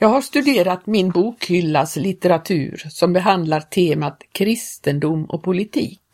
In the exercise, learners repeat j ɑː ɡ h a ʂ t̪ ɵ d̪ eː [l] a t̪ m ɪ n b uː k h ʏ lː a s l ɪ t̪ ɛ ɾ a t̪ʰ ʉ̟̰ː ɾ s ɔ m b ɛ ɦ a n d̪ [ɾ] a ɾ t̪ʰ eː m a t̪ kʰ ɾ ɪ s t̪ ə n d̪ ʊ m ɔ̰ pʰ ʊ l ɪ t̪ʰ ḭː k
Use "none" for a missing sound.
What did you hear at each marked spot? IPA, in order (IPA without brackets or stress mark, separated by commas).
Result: ɾ, l